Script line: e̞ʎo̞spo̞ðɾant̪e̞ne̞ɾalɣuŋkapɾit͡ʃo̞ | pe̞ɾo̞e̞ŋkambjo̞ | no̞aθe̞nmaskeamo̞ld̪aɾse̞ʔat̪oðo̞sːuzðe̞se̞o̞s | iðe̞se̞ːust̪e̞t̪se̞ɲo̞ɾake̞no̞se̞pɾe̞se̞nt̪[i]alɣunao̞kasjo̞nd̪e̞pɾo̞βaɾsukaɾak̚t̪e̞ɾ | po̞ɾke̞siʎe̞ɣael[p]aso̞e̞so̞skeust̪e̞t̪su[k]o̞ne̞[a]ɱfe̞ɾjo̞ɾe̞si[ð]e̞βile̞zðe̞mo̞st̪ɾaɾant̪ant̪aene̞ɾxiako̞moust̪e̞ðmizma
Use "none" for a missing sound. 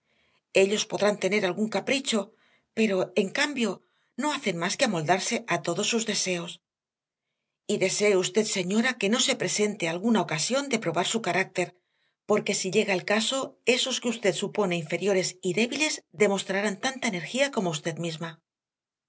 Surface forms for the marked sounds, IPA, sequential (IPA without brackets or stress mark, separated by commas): e, k, p, i, ð